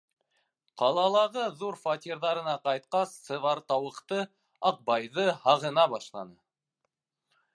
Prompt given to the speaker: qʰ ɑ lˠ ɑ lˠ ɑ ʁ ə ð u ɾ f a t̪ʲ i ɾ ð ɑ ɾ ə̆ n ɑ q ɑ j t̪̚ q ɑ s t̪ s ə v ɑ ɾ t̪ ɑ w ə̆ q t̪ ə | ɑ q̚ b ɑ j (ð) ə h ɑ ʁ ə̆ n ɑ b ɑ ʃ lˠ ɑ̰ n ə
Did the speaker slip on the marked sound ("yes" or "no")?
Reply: no